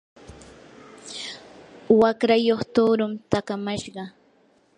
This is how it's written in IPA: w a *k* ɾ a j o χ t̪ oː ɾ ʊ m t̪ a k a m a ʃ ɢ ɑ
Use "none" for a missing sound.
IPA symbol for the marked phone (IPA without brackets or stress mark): k